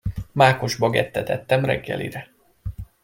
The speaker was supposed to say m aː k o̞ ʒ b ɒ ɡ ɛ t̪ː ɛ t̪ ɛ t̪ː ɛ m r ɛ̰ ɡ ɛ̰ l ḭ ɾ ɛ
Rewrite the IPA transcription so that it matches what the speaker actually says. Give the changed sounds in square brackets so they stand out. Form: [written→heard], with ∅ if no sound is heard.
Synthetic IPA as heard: m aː k o̞ ʒ b ɒ ɡ ɛ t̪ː ɛ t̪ ɛ t̪ː ɛ m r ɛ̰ [ɡ→ɡː] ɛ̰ l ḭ ɾ ɛ

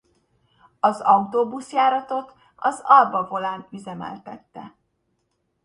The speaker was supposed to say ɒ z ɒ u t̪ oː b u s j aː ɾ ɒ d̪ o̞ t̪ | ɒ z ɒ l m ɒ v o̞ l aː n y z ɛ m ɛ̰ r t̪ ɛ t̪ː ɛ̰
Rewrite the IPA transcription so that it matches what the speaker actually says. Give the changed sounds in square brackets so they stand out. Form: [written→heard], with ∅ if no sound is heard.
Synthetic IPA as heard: ɒ z ɒ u t̪ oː b u s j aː ɾ ɒ [d̪→t̪] o̞ t̪ | ɒ z ɒ l [m→b] ɒ v o̞ l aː n y z ɛ m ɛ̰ [r→l] t̪ ɛ t̪ː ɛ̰

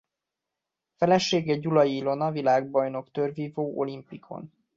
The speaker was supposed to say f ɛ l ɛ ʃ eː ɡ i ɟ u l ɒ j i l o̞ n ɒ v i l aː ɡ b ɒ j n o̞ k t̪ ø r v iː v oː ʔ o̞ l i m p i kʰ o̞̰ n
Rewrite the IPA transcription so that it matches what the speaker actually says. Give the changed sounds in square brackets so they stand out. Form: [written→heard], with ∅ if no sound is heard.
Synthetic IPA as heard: f ɛ l ɛ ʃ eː ɡ [i→ɛ] ɟ u l ɒ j i l o̞ n ɒ v i l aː ɡ b ɒ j n o̞ k t̪ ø r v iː v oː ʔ o̞ l i m p i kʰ o̞̰ n

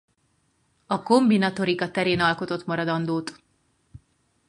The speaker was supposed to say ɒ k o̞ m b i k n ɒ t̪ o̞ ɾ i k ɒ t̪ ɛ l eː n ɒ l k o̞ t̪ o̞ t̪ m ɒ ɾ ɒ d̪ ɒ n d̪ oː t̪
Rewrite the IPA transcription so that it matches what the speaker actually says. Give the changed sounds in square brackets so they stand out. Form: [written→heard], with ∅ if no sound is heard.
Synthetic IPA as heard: ɒ k o̞ m b i [k→∅] n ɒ t̪ o̞ ɾ i k ɒ t̪ ɛ [l→ɾ] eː n ɒ l k o̞ t̪ o̞ t̪ m ɒ ɾ ɒ d̪ ɒ n d̪ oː t̪

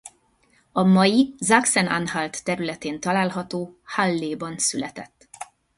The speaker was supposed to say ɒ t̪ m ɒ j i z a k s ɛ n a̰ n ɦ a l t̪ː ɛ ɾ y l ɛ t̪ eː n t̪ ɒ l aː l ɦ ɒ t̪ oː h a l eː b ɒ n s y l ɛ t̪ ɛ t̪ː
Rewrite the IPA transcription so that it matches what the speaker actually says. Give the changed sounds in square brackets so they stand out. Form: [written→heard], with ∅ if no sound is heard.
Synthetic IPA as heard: ɒ [t̪→∅] m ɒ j i z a k s ɛ n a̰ n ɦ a l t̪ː ɛ ɾ y l ɛ t̪ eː n t̪ ɒ l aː l ɦ ɒ t̪ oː h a [l→lː] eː b ɒ n s y l ɛ t̪ ɛ t̪ː

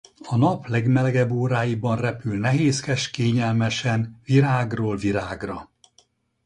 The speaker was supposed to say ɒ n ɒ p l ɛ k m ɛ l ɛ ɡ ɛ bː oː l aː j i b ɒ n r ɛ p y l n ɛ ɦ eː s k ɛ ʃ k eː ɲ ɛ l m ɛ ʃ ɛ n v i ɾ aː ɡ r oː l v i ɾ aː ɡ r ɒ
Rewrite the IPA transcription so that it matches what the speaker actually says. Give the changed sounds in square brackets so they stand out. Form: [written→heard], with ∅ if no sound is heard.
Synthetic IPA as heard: ɒ n ɒ p l ɛ [k→ɡ] m ɛ l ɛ ɡ ɛ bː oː [l→ɾ] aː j i b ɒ n r ɛ p y l n ɛ ɦ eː s k ɛ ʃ k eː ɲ ɛ l m ɛ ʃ ɛ n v i ɾ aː ɡ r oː l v i ɾ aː ɡ r ɒ

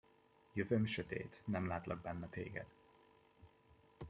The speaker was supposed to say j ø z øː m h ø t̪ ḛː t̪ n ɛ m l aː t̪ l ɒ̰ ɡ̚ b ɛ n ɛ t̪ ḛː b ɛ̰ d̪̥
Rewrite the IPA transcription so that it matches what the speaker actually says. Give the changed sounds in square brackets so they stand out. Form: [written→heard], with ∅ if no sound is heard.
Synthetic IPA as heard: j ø [z→v] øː m [h→ʃ] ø t̪ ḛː t̪ n ɛ m l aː t̪ l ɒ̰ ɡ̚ b ɛ [n→nː] ɛ t̪ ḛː [b→ɡ] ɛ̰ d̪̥

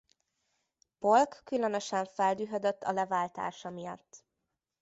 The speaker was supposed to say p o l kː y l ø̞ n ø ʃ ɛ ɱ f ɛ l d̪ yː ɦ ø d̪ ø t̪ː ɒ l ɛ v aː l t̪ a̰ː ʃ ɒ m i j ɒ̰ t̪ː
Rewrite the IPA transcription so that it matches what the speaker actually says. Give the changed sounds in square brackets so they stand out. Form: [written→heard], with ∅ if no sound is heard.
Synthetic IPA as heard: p o l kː y l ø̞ n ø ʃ ɛ ɱ f ɛ l d̪ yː ɦ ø d̪ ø t̪ː ɒ l ɛ v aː l t̪ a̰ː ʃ ɒ m i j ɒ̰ t̪ː

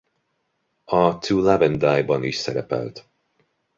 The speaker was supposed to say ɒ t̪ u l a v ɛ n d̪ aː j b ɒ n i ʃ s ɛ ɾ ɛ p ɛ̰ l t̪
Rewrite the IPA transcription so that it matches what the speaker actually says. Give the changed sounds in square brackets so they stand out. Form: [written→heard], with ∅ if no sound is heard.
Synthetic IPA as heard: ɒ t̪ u l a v ɛ n d̪ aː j b ɒ n i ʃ s ɛ ɾ ɛ p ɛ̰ l t̪

